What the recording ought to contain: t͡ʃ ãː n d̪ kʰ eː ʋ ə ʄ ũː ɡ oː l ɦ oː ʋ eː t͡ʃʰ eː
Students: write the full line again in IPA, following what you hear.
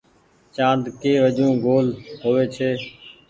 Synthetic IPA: t͡ʃ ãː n d̪ k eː ʋ ə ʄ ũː ɡ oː l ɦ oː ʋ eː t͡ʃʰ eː